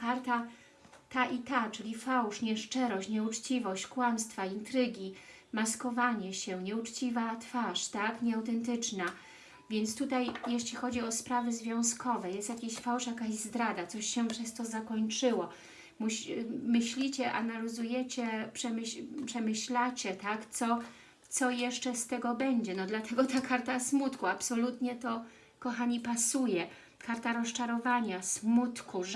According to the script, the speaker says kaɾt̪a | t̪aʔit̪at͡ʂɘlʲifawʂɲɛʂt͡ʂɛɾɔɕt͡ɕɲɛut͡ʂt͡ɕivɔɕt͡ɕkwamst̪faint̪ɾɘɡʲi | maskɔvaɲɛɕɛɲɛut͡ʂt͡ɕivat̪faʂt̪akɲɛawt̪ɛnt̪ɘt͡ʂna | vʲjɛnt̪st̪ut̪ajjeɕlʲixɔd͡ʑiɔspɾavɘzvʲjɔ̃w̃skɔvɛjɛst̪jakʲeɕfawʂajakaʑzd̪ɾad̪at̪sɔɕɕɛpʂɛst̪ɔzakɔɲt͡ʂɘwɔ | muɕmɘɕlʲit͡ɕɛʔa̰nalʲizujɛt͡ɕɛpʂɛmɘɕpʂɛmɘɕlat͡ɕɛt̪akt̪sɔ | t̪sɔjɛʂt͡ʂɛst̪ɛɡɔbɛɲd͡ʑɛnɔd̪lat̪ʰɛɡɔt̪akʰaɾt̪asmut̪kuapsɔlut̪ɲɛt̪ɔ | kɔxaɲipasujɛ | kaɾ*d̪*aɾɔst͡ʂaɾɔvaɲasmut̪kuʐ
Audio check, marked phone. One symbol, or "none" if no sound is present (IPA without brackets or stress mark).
t̪